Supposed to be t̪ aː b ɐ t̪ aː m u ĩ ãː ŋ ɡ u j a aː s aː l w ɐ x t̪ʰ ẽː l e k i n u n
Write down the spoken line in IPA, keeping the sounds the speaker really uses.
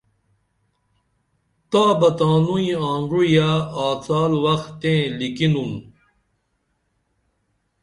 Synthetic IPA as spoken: t̪ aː b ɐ t̪ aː n u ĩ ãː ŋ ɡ u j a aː t͡s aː l w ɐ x t̪ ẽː l i k i n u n